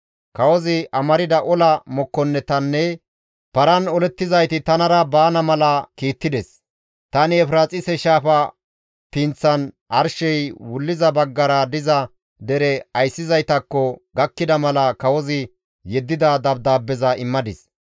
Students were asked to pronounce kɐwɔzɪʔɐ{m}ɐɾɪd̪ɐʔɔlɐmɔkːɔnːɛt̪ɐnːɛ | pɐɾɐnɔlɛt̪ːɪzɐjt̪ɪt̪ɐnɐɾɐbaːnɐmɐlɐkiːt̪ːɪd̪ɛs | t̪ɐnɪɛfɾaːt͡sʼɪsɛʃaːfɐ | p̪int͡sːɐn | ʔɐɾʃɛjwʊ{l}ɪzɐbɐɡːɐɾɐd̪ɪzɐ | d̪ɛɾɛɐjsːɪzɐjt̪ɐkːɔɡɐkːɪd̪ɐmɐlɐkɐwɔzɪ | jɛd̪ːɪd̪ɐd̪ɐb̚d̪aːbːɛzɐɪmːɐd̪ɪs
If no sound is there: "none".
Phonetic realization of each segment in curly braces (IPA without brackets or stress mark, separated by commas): m, lː